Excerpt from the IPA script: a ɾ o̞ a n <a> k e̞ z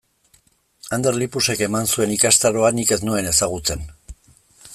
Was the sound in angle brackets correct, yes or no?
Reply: no